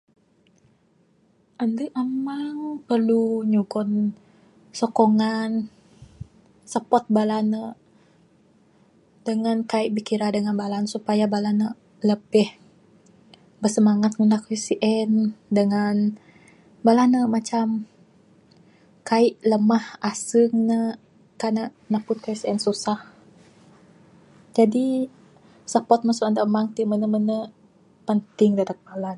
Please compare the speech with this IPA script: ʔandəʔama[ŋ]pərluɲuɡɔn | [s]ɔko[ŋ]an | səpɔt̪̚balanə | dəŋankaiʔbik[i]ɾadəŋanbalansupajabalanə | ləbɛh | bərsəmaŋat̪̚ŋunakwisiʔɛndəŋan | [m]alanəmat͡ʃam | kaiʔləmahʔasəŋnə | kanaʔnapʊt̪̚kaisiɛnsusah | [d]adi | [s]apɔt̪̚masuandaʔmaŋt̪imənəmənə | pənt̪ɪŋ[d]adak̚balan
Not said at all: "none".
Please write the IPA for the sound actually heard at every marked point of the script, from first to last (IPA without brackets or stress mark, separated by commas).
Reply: ŋ, s, ŋ, i, b, d͡ʒ, s, d